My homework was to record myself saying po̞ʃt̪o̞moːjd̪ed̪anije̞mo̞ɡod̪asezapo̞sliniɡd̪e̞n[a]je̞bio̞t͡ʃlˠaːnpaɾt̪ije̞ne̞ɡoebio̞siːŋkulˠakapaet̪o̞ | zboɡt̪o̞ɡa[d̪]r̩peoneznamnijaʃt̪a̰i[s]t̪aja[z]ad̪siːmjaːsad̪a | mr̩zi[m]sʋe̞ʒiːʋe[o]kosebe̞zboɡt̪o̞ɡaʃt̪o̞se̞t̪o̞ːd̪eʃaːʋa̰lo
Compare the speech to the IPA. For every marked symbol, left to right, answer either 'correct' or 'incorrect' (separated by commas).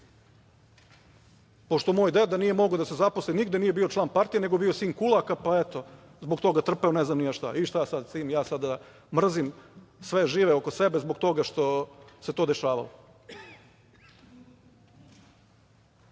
incorrect, incorrect, incorrect, incorrect, correct, correct